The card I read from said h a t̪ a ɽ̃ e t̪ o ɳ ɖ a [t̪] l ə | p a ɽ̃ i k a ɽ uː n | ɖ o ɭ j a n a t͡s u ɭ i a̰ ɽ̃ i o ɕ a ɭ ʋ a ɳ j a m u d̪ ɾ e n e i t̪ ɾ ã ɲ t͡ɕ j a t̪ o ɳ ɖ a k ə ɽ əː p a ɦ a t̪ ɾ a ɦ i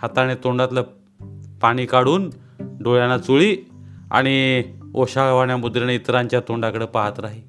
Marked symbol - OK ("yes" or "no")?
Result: yes